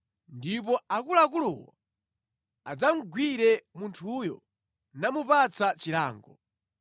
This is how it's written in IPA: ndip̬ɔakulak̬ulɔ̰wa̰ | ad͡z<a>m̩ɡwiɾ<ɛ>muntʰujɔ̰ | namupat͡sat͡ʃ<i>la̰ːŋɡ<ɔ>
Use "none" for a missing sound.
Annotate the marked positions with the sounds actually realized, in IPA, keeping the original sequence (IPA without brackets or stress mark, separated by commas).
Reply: a, ɛ, i, ɔ